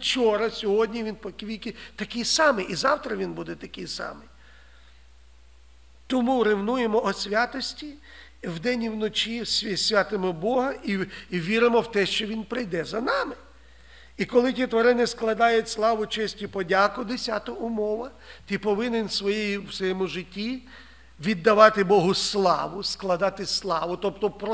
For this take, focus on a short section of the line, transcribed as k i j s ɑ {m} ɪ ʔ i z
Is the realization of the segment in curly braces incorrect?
no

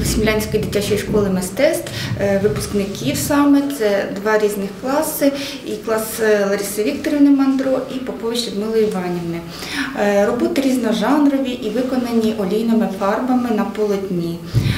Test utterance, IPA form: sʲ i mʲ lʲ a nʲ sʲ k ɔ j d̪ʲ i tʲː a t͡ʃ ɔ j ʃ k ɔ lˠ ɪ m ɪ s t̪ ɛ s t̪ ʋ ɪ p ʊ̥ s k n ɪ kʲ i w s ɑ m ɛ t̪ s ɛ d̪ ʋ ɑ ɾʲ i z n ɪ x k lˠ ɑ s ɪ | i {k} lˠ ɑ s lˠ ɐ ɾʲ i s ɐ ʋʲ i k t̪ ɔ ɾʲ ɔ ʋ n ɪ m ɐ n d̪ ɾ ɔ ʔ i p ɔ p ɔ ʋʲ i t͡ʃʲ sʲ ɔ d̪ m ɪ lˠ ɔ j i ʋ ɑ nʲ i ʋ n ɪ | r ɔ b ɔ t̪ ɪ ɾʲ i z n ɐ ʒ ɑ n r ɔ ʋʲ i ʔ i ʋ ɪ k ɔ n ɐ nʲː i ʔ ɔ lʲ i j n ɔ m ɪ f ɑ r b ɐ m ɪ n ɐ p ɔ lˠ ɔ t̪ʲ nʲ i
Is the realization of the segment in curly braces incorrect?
no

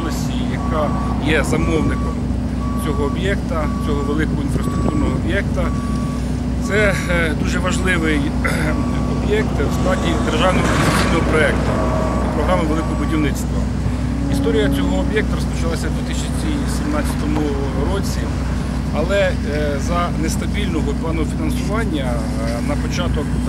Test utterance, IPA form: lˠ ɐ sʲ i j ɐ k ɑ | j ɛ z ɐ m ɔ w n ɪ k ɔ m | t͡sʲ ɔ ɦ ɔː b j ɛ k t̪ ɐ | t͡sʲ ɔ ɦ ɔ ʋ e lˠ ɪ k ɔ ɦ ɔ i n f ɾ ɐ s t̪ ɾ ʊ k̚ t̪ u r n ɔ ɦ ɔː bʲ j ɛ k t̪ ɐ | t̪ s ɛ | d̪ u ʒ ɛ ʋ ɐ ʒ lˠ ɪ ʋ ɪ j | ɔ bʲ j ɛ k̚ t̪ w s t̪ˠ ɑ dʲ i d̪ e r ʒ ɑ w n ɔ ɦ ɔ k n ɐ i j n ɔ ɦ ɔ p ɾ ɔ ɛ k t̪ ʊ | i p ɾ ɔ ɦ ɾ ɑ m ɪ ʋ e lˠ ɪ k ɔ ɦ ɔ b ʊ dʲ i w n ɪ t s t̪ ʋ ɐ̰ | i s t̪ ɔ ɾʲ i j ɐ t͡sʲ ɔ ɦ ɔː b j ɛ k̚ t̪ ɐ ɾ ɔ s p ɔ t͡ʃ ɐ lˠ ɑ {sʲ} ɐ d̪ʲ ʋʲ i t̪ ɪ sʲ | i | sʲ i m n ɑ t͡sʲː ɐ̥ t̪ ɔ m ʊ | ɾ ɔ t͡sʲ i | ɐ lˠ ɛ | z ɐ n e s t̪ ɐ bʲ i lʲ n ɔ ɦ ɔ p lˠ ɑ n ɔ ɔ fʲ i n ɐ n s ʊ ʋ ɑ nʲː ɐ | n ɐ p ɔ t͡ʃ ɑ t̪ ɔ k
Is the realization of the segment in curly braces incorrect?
no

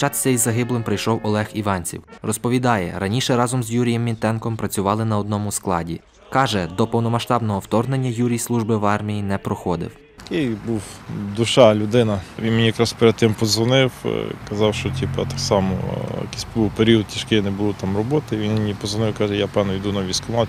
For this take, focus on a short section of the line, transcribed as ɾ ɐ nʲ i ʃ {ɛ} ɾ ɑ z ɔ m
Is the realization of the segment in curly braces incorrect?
no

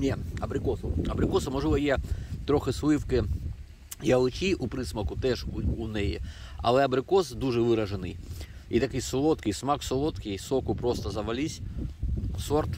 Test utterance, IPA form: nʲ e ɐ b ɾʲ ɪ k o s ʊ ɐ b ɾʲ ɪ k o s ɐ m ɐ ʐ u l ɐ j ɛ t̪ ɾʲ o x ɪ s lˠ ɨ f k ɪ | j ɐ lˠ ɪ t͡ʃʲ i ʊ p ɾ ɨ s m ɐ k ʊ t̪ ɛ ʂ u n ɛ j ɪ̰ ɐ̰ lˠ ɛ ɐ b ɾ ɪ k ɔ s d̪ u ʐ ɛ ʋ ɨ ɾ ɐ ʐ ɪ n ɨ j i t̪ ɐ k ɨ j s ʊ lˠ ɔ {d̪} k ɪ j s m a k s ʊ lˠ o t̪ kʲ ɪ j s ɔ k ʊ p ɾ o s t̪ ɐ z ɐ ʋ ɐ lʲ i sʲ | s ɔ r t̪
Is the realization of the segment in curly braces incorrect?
yes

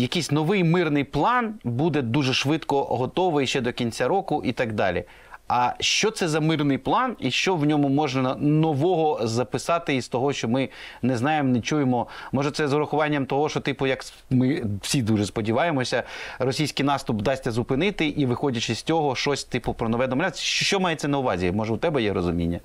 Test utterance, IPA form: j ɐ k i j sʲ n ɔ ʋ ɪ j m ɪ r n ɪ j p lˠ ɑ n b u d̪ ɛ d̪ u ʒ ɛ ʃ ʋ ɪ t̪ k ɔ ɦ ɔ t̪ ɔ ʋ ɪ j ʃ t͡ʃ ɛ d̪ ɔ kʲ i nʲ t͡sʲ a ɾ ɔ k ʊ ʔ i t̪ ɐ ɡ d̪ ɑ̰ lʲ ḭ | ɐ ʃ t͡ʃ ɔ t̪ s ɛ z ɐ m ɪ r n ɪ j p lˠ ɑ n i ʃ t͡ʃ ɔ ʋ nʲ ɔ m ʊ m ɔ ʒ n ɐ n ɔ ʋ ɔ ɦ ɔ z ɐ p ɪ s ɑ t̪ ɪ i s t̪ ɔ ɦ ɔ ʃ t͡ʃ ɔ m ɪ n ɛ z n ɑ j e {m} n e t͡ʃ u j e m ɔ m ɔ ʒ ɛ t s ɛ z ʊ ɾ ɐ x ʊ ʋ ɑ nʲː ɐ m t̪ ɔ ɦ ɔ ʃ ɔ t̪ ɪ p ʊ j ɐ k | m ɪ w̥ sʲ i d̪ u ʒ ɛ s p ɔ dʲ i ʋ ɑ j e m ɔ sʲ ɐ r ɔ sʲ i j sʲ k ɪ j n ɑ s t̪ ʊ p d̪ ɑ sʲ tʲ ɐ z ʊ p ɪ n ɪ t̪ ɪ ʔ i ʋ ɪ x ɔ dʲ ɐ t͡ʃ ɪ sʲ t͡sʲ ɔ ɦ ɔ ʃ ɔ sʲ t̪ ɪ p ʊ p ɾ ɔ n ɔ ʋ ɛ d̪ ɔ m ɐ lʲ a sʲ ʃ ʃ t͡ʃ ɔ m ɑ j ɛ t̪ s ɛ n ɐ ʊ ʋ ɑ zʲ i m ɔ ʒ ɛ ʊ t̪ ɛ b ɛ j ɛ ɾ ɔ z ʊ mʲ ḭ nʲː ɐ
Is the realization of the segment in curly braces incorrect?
no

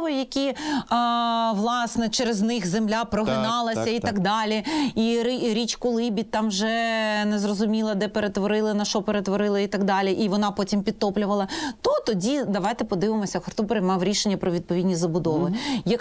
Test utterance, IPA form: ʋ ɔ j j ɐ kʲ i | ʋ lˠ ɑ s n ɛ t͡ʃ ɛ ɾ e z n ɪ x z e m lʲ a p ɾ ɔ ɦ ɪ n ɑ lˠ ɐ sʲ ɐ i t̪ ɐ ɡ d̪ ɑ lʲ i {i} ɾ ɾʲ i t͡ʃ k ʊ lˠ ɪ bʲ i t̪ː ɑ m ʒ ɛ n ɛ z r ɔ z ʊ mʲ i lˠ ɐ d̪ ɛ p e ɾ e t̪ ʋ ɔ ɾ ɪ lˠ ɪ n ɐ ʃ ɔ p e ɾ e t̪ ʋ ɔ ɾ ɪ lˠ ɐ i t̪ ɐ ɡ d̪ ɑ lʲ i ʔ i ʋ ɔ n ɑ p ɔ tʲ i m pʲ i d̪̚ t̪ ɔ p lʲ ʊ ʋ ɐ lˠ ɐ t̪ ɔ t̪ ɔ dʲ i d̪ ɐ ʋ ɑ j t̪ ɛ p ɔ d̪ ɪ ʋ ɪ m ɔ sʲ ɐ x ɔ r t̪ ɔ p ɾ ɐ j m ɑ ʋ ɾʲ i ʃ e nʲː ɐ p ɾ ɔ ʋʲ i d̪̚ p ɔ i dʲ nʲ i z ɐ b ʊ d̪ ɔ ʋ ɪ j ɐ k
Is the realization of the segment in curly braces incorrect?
no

